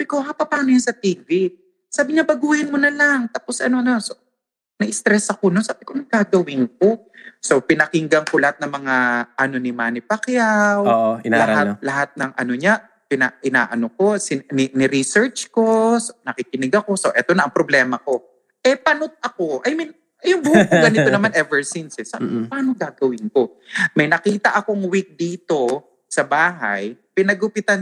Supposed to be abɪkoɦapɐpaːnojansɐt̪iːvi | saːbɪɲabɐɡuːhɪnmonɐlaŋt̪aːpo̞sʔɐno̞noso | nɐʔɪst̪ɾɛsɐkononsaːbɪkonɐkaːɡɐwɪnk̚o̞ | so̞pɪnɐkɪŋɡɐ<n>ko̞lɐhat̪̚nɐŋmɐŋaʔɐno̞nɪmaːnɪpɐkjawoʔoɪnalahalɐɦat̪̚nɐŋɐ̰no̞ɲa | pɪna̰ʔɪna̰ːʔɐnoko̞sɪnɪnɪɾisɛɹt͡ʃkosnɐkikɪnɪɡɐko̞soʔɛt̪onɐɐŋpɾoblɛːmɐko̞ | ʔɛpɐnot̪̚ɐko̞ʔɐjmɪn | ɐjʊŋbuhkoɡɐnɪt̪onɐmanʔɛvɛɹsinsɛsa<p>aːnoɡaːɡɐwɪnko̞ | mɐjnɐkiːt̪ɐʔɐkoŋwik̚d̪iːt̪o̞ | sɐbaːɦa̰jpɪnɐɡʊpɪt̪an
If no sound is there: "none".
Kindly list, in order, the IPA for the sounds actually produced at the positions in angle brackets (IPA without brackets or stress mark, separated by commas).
ŋ, p